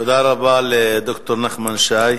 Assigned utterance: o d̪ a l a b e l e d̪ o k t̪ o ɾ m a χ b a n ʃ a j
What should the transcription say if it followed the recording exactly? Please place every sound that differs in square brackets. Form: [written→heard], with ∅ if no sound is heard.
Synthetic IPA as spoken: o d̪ a [l→ɾ] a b [e→a] l e d̪ o k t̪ o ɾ [m→n] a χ [b→m] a n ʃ a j

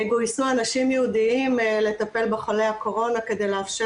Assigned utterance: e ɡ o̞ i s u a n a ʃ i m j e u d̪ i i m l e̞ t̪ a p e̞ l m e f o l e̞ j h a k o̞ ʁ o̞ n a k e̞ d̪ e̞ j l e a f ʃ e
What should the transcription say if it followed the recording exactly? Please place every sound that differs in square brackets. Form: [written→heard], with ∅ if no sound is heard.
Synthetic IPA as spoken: e ɡ o̞ i s u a n a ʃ i m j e u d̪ i i m l e̞ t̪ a p e̞ l [m→b] e [f→χ] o l e̞ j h a k o̞ ʁ o̞ n a k e̞ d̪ e̞ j l e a f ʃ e

